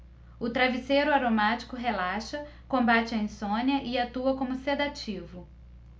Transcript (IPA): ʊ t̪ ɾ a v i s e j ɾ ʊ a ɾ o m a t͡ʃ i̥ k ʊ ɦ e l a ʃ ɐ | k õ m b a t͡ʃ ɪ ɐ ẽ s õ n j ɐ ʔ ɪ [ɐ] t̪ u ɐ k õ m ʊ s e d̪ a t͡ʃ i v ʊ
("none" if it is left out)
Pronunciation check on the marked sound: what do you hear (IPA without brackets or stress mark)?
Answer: a